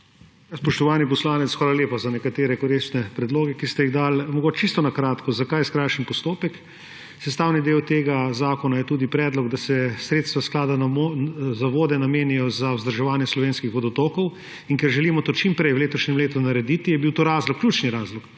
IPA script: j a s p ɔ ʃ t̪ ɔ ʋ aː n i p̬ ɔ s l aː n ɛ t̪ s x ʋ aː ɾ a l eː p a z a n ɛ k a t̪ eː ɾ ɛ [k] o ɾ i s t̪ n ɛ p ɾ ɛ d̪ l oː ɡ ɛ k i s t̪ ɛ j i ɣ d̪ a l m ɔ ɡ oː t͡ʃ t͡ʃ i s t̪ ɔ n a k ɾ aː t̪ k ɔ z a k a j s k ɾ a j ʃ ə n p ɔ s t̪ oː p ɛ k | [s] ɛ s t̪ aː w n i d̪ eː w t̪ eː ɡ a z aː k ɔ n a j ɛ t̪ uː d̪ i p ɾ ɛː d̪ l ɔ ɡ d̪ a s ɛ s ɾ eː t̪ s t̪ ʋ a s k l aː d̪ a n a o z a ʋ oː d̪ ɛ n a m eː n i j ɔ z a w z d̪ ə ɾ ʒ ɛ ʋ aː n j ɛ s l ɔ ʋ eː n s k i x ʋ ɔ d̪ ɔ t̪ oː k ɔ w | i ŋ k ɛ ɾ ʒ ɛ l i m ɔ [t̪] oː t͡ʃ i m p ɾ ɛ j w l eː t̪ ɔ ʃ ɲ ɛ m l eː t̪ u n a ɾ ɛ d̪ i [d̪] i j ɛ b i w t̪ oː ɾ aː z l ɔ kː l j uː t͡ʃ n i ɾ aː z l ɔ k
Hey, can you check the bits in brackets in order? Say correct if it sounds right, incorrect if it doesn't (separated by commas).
correct, correct, correct, incorrect